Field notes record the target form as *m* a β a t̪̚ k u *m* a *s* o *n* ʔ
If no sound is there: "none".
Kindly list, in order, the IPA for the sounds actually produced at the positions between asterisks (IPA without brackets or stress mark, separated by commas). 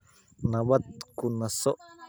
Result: n, n, s, none